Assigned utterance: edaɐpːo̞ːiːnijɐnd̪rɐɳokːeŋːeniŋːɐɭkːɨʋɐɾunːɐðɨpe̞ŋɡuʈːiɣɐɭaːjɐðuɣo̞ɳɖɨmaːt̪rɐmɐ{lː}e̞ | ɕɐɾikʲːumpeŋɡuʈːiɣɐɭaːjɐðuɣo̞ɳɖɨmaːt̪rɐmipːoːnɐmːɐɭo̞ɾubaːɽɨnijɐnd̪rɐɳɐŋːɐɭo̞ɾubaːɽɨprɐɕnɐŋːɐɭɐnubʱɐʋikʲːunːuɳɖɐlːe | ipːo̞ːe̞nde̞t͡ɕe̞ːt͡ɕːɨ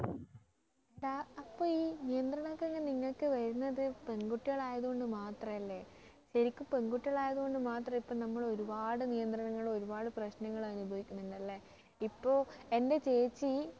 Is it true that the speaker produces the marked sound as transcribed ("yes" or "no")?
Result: yes